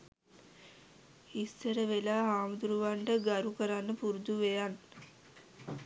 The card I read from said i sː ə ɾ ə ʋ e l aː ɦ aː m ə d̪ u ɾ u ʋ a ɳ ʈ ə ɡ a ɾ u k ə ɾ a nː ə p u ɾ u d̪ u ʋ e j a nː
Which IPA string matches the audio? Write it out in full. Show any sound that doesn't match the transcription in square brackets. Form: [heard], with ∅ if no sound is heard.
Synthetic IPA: i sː ə ɾ ə ʋ e l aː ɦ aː m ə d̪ u ɾ u ʋ a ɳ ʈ ə ɡ a ɾ u k ə ɾ a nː ə p u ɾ u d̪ u ʋ e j a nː